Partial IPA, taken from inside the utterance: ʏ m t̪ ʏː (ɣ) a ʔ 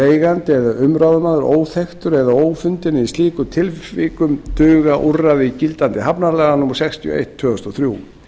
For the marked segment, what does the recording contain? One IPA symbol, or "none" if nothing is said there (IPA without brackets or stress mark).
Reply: ɣ